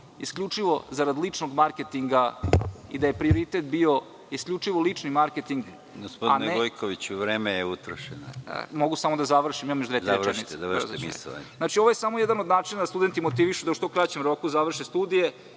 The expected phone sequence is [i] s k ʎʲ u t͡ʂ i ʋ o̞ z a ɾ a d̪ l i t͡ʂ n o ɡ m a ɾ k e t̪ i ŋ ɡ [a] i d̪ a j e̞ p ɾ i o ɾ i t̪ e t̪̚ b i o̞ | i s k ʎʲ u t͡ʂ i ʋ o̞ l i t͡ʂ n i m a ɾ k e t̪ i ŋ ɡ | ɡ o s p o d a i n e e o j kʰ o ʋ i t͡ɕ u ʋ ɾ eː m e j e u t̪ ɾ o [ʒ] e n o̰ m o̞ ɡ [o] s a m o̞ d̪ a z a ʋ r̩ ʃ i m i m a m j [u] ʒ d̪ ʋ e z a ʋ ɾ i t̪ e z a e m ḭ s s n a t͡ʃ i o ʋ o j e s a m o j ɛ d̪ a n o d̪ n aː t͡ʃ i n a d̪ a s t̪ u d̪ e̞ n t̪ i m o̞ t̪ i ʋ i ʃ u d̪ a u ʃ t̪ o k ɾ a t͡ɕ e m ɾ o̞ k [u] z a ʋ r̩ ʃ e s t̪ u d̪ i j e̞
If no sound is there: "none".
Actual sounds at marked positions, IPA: i, a, ʃ, u, o, u

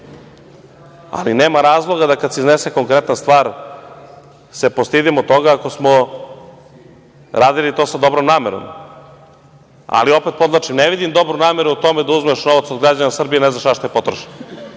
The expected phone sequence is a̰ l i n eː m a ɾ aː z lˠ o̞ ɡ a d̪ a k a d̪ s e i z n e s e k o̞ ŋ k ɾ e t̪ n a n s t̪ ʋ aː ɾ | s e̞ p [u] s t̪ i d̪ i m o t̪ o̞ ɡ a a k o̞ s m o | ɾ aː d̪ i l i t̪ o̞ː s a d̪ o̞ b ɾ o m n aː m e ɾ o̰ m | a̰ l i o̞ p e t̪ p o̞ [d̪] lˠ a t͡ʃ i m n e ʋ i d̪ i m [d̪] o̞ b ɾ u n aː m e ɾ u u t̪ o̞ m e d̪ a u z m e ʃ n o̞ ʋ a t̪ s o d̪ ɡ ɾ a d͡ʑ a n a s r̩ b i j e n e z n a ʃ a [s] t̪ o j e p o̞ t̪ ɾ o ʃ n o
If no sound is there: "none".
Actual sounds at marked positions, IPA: o, d̪, d̪, ʃ

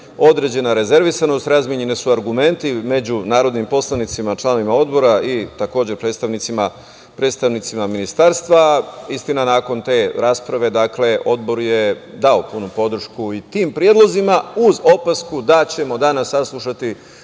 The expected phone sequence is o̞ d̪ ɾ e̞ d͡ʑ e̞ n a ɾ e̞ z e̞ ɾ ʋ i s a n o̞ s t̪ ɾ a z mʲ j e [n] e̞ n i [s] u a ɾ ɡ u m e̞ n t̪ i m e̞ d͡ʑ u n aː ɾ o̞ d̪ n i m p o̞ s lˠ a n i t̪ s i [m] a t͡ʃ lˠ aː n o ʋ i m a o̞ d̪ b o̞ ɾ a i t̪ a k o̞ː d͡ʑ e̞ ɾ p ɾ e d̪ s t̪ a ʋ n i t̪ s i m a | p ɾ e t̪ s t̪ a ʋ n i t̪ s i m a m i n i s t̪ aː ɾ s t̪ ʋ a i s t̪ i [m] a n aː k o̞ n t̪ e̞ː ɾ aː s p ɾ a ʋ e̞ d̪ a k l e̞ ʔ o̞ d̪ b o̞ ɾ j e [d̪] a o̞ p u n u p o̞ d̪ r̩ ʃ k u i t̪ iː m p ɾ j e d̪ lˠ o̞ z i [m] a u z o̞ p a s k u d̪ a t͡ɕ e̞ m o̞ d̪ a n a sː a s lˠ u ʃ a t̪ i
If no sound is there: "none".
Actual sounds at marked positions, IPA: ɲ, s, m, n, d̪, m

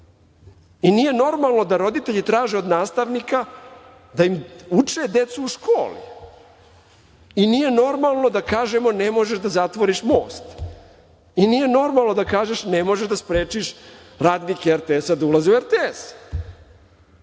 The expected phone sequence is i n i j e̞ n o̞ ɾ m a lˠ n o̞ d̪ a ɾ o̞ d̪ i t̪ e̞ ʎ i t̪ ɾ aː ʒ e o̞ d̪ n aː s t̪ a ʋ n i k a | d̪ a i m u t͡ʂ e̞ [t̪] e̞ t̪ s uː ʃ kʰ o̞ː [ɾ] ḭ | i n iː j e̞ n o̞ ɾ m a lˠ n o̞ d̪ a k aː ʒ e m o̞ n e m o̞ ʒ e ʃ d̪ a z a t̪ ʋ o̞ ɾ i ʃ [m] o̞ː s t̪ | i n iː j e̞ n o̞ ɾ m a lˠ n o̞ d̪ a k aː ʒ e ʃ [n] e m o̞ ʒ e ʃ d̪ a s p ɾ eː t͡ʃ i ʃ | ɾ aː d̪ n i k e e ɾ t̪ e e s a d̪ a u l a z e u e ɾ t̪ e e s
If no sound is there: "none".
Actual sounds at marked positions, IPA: d̪, l, m, n

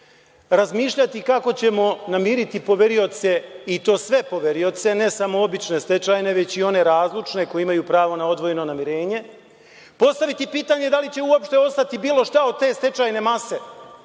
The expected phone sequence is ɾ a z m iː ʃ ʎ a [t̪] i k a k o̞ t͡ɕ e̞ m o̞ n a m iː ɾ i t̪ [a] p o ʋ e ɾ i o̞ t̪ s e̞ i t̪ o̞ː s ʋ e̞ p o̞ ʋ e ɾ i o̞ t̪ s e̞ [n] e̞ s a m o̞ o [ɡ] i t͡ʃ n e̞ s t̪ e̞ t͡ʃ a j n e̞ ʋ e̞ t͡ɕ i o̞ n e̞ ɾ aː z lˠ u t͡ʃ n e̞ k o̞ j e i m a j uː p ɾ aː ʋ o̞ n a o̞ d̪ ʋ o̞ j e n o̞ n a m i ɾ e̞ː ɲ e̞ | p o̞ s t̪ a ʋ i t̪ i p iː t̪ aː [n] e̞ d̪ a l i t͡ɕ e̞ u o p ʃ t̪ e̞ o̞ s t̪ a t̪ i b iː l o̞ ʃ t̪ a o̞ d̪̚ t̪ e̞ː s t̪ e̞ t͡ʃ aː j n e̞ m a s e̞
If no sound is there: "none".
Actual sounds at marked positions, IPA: t̪, i, n, b, ɲ

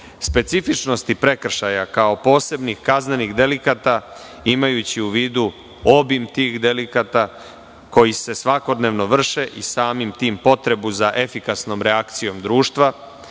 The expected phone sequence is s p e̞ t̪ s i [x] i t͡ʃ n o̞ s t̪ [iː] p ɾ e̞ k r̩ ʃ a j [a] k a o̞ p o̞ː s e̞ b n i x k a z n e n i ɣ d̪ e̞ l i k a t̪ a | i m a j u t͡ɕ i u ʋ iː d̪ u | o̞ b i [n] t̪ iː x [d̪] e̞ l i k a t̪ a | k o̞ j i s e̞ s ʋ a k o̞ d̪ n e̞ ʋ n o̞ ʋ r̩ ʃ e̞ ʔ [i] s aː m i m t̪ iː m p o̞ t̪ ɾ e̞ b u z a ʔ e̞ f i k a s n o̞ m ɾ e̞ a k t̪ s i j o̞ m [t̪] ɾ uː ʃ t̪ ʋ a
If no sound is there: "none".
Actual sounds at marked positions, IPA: f, i, a, m, d̪, i, d̪

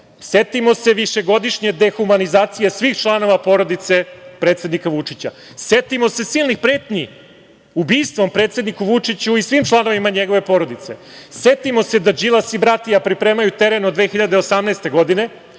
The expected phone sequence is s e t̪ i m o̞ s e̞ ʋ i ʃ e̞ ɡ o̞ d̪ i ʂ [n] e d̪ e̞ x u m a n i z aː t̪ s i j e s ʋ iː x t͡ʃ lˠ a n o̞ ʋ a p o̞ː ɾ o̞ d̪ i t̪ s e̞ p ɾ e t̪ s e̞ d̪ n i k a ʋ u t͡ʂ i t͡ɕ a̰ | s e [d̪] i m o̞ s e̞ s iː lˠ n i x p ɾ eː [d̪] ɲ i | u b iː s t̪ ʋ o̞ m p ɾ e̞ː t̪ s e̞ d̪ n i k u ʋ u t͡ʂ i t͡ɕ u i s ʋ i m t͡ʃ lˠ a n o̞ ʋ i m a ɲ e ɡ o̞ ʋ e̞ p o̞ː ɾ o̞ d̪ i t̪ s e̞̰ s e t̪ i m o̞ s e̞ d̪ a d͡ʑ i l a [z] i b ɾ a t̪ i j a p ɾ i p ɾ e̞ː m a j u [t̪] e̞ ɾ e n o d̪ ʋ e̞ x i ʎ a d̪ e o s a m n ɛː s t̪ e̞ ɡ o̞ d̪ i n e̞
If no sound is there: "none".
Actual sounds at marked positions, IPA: ɲ, t̪, t̪, s, t̪

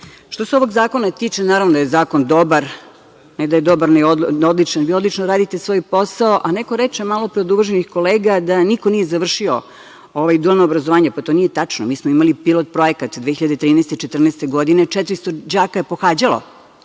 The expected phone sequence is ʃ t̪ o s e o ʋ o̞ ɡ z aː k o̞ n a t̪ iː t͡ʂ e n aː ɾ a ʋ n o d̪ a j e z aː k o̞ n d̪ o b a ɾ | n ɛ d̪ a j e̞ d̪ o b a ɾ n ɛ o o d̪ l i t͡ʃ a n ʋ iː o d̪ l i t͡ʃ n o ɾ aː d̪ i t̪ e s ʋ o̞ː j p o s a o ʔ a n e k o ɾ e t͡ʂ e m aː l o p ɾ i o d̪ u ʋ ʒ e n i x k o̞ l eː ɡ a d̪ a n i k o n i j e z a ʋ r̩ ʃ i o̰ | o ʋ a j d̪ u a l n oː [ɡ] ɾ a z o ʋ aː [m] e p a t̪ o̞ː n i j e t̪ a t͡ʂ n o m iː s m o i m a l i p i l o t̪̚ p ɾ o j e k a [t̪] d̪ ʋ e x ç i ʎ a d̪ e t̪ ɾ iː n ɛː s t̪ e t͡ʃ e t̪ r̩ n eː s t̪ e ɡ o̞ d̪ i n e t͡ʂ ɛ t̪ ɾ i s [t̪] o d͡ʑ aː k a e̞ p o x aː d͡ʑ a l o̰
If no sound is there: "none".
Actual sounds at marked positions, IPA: b, ɲ, t̪, t̪

